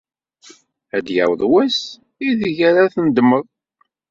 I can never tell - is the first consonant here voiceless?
no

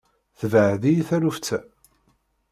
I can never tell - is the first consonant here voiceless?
yes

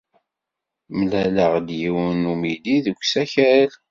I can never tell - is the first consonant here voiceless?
no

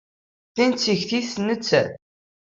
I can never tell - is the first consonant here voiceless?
yes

